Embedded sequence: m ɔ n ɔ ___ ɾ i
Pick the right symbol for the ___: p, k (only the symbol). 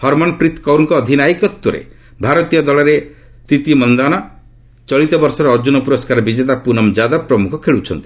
p